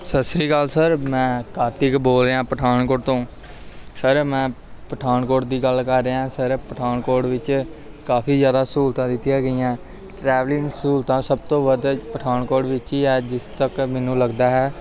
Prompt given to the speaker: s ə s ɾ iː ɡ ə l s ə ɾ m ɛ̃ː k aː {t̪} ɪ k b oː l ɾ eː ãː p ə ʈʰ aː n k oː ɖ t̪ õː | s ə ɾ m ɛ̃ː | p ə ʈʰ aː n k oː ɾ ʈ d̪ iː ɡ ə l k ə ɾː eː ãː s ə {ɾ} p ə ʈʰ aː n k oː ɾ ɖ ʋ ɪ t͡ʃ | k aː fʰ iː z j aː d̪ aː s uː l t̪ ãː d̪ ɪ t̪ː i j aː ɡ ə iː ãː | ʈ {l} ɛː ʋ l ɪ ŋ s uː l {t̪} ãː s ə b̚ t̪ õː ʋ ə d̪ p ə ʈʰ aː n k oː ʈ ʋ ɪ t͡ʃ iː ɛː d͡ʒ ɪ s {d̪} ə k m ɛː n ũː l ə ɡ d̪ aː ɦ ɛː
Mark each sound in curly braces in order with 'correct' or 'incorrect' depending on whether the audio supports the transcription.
correct, correct, incorrect, correct, incorrect

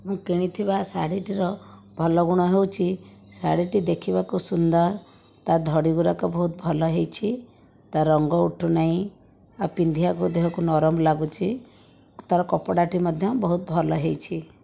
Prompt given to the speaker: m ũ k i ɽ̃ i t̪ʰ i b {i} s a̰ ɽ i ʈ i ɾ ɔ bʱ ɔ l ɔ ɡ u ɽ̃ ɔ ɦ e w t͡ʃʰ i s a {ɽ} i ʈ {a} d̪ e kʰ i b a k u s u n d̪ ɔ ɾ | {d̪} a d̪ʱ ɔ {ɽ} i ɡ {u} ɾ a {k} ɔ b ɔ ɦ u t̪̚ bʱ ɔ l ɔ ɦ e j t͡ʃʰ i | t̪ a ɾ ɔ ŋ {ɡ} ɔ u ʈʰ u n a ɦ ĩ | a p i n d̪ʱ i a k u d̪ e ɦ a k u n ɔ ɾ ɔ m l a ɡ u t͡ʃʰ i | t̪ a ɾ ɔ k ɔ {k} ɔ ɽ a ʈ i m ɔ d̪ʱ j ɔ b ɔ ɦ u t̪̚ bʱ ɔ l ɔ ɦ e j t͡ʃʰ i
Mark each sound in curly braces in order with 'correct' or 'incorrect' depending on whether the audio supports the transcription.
incorrect, correct, incorrect, incorrect, correct, correct, correct, correct, incorrect

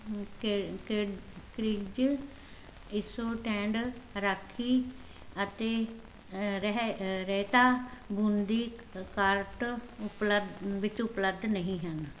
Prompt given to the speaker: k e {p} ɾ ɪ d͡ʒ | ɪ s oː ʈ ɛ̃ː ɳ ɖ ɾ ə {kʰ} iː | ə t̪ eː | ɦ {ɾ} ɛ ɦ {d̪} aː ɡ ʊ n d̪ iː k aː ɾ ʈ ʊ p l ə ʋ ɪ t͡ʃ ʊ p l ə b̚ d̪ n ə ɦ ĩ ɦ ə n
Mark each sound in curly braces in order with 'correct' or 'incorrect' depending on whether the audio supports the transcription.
incorrect, correct, correct, incorrect

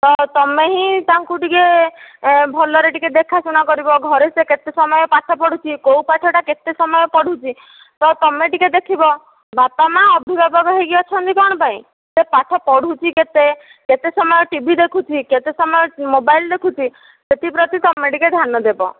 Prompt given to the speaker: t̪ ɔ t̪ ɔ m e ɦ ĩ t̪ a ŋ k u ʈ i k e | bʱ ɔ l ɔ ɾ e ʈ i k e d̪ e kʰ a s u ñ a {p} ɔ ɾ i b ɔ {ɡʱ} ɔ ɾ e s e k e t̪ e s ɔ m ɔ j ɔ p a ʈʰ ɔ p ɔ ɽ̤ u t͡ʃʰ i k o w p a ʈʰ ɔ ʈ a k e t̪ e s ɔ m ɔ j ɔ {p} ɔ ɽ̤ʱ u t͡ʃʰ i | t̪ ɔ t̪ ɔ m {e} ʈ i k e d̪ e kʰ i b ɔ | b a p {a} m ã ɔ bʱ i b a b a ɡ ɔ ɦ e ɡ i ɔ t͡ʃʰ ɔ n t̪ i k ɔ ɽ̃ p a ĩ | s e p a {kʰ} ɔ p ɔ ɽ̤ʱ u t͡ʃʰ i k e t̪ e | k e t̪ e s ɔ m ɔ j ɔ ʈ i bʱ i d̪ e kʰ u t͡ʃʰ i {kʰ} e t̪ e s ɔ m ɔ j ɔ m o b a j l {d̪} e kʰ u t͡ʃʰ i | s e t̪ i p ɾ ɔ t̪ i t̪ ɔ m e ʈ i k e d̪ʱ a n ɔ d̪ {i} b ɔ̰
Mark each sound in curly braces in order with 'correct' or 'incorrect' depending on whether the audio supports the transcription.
incorrect, correct, correct, correct, correct, incorrect, incorrect, correct, incorrect

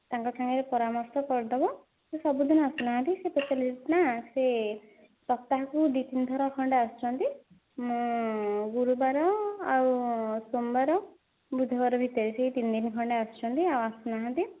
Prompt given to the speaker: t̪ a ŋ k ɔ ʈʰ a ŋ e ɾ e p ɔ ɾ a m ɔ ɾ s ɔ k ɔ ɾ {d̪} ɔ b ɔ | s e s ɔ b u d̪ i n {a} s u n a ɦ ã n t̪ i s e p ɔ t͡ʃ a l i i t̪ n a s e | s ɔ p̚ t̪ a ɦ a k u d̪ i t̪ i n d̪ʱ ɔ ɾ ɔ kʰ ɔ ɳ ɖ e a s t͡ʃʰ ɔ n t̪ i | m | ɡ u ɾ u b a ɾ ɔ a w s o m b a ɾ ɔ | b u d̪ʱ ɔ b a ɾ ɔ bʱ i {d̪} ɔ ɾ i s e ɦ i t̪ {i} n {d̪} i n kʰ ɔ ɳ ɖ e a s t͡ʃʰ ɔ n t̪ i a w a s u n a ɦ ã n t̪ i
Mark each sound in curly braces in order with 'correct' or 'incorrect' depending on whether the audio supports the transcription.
correct, correct, incorrect, correct, correct

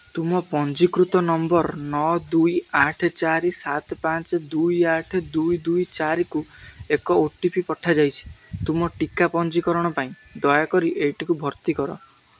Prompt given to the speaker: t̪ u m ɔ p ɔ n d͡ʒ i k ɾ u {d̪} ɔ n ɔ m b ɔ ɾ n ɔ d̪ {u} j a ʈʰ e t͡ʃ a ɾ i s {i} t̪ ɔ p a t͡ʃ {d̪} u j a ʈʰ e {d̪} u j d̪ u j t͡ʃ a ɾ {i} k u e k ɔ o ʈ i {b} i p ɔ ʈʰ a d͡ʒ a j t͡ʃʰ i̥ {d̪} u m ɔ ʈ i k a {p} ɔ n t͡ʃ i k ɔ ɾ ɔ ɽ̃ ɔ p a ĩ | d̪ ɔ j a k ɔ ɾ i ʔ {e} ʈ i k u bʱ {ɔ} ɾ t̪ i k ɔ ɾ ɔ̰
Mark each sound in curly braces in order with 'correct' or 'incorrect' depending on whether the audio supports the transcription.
incorrect, correct, incorrect, correct, correct, correct, incorrect, incorrect, correct, correct, correct

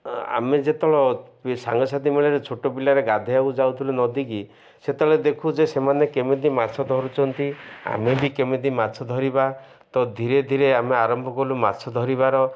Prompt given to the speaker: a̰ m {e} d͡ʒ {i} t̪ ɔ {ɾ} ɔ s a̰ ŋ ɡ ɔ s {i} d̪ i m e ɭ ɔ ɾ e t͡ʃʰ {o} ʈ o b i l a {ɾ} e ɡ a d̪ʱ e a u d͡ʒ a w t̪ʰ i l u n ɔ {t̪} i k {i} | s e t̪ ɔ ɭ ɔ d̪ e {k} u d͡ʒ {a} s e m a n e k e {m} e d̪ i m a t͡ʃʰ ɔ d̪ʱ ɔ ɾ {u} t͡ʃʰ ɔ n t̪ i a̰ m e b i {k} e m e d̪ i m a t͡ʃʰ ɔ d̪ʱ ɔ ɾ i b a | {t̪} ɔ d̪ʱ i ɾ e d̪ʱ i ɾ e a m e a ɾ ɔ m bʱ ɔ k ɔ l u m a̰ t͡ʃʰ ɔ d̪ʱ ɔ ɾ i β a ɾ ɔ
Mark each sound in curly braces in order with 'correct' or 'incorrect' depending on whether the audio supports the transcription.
correct, incorrect, incorrect, incorrect, correct, correct, incorrect, correct, incorrect, incorrect, correct, correct, correct, correct

